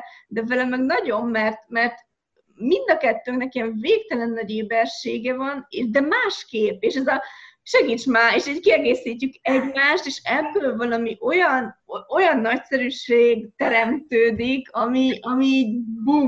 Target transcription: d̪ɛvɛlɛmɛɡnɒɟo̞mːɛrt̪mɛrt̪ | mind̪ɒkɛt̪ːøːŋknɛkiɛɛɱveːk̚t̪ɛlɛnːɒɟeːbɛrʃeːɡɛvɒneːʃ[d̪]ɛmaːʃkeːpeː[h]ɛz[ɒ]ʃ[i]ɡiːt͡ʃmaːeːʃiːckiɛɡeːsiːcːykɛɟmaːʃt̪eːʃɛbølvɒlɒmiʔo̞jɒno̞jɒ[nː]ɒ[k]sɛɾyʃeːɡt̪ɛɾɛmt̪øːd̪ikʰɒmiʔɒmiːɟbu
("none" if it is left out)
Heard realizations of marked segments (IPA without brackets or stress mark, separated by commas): d̪, ʃ, ɒ, ɛ, nː, c